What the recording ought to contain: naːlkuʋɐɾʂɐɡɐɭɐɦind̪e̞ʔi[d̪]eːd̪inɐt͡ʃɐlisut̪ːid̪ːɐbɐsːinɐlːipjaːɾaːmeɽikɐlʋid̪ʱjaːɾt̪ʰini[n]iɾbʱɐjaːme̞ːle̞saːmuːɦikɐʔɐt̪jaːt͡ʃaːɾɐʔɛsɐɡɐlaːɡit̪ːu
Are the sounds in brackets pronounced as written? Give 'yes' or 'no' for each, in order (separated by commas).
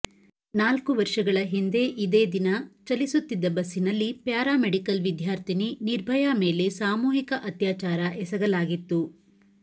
yes, yes